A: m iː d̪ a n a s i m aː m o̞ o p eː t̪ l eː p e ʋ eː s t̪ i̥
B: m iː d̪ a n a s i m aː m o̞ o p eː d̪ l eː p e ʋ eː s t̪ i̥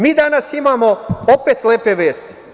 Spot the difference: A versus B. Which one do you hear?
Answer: A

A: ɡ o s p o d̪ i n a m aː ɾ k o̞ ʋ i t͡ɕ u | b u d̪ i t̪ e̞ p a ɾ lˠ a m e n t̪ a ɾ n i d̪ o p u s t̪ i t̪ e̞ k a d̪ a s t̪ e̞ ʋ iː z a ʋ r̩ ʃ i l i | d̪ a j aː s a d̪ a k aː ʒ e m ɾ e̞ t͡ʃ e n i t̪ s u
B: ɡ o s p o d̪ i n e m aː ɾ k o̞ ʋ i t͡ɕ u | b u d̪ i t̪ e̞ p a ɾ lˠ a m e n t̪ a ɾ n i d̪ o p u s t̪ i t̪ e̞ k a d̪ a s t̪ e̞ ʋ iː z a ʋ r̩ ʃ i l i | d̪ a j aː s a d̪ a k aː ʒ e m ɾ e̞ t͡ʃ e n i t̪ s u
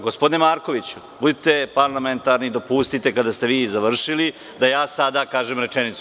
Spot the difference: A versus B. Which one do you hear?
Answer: B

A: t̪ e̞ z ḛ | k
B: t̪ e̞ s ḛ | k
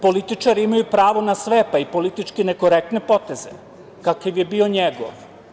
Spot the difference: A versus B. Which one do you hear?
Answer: A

